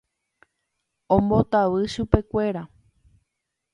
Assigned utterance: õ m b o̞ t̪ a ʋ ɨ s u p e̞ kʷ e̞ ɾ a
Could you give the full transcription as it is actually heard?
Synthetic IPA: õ m b o̞ t̪ a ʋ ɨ ʃ u p e̞ kʷ e̞ ɾ a